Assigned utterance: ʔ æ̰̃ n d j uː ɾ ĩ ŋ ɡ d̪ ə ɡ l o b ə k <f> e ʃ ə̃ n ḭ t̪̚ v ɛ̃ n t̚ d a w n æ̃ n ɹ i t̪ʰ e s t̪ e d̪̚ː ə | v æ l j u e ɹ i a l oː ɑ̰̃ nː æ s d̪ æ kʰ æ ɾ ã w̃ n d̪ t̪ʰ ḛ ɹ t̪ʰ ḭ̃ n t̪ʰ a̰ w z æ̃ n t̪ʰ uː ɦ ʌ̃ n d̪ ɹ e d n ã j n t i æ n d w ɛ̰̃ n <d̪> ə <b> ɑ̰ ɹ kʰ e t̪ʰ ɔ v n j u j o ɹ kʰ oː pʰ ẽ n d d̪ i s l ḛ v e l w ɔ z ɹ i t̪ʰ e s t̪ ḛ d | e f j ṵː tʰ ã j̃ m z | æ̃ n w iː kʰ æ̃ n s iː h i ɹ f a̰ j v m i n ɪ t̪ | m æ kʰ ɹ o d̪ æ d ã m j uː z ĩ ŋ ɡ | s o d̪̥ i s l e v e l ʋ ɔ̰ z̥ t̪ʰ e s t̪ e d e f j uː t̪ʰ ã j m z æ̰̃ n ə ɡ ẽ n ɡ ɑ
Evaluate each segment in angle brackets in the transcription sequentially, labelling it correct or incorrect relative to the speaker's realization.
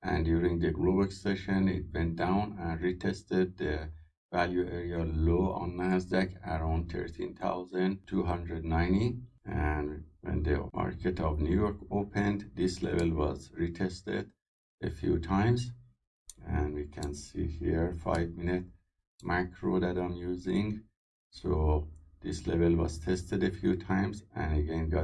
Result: incorrect: s, correct, incorrect: m

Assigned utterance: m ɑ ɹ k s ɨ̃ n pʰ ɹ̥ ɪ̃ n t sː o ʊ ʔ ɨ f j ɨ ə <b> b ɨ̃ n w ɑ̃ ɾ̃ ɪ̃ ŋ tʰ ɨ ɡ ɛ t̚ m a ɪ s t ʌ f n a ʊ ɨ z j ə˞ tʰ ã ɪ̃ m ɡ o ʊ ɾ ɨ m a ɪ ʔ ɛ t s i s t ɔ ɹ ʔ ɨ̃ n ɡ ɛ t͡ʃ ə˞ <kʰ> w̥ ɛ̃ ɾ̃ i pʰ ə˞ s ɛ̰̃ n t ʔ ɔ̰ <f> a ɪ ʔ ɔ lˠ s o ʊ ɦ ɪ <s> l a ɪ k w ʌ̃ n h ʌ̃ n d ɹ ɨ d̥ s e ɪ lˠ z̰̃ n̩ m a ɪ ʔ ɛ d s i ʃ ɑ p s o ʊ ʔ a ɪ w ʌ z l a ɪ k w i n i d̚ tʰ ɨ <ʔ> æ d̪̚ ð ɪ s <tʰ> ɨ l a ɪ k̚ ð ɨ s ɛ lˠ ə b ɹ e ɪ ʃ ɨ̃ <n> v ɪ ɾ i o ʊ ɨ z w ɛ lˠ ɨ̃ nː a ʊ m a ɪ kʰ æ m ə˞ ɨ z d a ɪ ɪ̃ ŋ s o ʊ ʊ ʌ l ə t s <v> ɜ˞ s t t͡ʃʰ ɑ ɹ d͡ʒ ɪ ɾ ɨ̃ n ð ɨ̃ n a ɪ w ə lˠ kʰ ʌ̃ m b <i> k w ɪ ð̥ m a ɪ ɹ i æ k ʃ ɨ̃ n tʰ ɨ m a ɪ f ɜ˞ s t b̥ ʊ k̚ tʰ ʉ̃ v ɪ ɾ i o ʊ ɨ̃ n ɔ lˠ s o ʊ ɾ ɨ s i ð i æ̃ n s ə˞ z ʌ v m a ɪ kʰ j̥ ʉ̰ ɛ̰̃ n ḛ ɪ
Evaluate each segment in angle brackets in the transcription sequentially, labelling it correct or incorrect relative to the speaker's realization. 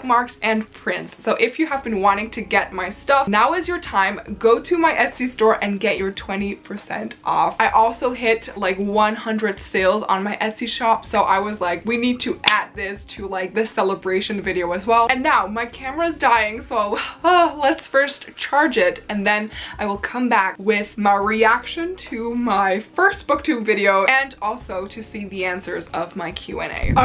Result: incorrect: v, incorrect: tʰ, correct, incorrect: t, correct, correct, correct, incorrect: f, incorrect: æ

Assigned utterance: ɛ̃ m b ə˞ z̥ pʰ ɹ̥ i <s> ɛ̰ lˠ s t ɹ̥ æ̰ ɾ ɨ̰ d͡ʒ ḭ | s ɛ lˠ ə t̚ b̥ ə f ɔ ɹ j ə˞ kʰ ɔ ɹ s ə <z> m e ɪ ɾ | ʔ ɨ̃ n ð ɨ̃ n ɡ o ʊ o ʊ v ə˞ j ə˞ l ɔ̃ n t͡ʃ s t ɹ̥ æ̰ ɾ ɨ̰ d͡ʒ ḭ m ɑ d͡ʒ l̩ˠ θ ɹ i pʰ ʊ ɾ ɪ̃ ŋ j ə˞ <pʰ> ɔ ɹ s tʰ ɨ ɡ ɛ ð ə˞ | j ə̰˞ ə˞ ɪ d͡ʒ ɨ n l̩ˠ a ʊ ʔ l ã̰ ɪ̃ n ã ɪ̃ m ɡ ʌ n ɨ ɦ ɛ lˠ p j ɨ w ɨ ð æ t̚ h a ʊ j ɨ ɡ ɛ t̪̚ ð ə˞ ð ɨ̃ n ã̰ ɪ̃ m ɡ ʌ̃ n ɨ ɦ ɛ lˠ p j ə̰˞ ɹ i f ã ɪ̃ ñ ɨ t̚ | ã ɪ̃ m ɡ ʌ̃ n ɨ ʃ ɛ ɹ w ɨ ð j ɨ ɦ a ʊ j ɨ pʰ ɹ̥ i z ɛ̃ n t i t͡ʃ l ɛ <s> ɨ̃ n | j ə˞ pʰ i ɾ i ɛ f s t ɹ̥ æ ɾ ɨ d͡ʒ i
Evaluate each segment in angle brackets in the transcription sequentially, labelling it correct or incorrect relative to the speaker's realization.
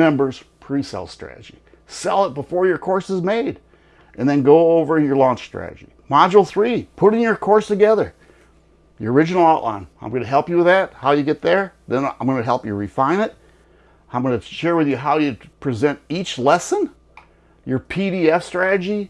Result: correct, correct, incorrect: kʰ, correct

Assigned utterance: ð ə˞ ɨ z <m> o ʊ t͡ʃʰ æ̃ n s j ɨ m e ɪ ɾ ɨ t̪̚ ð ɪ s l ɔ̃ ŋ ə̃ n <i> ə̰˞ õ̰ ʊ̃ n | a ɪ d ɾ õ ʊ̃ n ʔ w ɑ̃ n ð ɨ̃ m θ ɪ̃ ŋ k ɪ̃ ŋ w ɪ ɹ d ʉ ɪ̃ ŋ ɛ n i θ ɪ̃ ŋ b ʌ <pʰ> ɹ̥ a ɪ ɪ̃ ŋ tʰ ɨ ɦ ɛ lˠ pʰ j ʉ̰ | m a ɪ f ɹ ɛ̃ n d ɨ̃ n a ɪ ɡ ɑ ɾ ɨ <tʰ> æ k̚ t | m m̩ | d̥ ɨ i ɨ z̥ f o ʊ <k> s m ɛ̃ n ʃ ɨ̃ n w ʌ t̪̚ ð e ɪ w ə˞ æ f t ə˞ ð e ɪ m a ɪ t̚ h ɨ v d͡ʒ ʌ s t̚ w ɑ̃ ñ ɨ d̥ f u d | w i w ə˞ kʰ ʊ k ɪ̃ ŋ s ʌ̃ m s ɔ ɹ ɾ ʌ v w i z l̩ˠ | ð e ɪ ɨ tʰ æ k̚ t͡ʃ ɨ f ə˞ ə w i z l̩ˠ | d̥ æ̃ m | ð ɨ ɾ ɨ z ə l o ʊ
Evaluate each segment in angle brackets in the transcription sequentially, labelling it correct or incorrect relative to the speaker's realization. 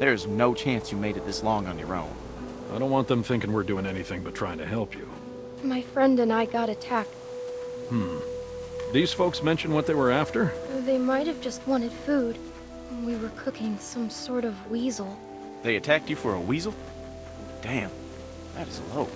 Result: incorrect: n, incorrect: j, incorrect: tʰ, correct, correct

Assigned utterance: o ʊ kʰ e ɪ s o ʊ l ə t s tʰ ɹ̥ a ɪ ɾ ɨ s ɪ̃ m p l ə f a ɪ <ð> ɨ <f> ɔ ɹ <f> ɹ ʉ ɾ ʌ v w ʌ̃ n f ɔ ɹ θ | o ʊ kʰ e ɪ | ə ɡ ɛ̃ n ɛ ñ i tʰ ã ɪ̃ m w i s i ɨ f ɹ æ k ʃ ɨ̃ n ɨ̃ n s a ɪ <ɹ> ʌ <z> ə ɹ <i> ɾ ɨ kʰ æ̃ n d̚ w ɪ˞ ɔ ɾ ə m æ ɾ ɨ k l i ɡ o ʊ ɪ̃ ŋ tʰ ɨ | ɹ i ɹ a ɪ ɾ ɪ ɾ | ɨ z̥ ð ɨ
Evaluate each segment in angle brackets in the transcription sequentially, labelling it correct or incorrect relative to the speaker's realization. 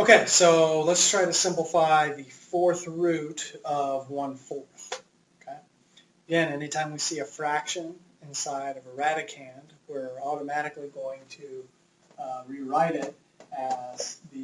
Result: correct, correct, incorrect: θ, incorrect: ɾ, incorrect: v, incorrect: æ

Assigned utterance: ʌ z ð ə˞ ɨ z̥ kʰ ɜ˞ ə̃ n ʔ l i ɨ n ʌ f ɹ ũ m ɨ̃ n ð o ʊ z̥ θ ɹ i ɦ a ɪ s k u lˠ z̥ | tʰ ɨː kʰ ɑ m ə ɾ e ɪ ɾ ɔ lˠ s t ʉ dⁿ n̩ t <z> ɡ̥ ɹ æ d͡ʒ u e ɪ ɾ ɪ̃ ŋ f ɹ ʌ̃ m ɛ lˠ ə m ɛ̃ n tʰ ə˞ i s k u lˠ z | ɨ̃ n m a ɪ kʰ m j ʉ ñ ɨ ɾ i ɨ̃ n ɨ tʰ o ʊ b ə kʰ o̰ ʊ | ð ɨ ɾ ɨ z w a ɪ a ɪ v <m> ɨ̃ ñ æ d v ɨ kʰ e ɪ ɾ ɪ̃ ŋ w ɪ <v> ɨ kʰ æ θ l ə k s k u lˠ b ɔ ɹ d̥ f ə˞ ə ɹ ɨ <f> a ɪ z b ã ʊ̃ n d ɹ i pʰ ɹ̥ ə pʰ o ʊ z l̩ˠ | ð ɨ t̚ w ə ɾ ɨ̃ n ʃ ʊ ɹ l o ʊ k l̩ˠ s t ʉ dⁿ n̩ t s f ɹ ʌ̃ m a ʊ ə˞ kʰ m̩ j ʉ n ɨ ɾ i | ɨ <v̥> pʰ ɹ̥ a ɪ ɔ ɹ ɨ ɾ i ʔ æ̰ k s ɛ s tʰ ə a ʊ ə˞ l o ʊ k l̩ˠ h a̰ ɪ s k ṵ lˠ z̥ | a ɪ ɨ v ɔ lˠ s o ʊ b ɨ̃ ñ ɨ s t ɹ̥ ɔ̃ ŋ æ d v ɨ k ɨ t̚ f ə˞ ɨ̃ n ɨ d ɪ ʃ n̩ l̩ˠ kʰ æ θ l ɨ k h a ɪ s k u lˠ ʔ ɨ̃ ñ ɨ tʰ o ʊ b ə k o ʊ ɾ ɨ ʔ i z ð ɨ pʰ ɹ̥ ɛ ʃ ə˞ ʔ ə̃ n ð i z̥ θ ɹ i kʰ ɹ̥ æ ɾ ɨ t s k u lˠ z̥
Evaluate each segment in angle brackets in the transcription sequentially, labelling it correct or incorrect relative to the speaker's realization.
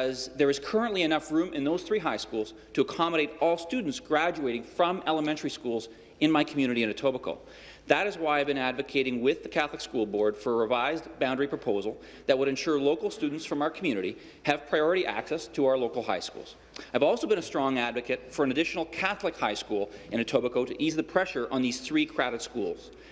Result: incorrect: s, incorrect: b, incorrect: ð, incorrect: v, correct

